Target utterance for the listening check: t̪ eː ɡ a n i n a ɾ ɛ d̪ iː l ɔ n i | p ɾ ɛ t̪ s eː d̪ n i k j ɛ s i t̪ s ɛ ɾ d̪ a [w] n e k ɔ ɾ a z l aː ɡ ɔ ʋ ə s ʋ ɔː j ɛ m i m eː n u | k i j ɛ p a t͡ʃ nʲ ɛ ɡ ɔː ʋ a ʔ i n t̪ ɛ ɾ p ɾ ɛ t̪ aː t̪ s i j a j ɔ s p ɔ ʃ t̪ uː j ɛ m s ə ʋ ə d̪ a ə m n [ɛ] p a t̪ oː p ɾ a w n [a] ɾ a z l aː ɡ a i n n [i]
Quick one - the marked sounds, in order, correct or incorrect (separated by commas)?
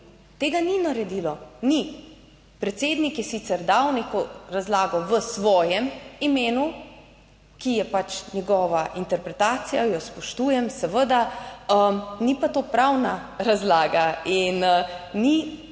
correct, incorrect, correct, correct